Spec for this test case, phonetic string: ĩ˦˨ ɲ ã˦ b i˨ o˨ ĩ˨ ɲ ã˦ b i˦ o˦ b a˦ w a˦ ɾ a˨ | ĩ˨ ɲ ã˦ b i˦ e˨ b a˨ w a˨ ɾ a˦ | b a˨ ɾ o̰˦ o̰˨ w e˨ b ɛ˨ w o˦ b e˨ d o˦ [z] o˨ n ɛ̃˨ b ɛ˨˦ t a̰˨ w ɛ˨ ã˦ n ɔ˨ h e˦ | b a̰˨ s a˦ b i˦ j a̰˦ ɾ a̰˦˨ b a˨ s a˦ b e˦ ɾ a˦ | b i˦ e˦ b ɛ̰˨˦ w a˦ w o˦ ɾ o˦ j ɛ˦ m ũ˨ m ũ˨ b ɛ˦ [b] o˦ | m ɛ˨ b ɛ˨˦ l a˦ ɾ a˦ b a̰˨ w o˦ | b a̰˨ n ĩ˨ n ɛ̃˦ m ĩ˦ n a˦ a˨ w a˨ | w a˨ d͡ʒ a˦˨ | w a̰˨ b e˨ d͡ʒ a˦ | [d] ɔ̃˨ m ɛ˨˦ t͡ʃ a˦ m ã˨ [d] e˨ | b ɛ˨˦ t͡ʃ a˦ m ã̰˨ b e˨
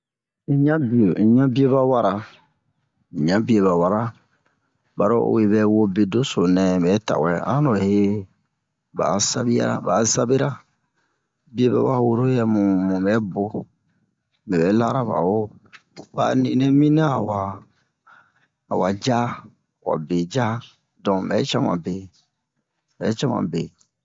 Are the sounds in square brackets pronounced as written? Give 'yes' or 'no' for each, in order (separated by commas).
no, yes, yes, no